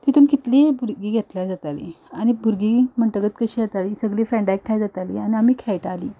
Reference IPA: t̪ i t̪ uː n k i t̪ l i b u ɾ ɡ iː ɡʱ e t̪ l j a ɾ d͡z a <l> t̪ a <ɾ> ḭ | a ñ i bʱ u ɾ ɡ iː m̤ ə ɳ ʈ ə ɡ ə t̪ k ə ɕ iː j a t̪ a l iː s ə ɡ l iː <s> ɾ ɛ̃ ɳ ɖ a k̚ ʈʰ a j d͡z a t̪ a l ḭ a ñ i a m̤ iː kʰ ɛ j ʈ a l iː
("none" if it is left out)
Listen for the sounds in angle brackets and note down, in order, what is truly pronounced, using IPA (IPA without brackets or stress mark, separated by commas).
none, l, f